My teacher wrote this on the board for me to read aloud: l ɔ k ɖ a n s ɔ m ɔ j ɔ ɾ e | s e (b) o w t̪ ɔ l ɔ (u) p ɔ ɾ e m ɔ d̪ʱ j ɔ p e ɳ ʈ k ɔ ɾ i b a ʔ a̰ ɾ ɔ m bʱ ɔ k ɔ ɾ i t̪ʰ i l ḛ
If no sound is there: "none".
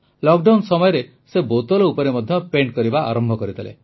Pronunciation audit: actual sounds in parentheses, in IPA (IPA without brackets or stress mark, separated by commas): b, u